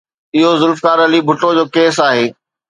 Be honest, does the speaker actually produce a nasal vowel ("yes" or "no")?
no